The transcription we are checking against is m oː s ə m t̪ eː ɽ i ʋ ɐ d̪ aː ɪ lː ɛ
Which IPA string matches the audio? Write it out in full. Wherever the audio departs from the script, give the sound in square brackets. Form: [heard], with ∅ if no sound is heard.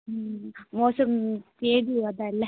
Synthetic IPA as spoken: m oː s [ɐ] m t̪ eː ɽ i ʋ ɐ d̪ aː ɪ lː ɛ